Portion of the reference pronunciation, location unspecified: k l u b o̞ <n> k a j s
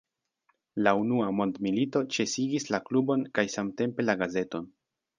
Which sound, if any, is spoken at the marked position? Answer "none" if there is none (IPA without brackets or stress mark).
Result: n